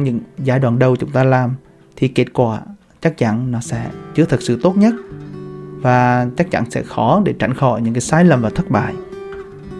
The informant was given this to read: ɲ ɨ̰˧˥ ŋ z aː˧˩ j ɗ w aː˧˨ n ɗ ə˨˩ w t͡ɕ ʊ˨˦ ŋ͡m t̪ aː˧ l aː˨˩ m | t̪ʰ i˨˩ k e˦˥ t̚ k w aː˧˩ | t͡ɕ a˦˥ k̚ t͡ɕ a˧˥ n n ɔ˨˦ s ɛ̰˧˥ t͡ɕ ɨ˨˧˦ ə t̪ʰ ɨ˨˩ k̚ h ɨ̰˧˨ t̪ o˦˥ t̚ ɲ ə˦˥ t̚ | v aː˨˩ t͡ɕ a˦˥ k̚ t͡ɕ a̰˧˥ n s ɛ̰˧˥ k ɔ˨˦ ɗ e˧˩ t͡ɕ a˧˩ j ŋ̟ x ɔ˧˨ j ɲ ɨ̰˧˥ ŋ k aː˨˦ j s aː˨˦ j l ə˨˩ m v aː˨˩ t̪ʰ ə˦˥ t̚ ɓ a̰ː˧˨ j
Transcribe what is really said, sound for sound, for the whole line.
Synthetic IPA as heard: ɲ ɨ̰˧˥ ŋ z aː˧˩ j ɗ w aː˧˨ n ɗ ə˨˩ w t͡ɕ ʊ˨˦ ŋ͡m t̪ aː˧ l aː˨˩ m | t̪ʰ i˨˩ k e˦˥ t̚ k w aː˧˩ | t͡ɕ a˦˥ k̚ t͡ɕ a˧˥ n n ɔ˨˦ s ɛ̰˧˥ t͡ɕ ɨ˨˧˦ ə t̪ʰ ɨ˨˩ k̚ s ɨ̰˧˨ t̪ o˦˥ t̚ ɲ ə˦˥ t̚ | v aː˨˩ t͡ɕ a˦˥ k̚ t͡ɕ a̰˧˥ n s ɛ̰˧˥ x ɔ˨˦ ɗ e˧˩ t͡ɕ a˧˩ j ŋ̟ x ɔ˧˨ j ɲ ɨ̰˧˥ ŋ k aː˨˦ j s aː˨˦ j l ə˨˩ m v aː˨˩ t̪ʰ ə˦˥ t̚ ɓ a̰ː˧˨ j